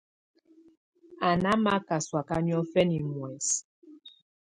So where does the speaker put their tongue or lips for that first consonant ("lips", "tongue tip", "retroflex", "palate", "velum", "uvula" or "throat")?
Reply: tongue tip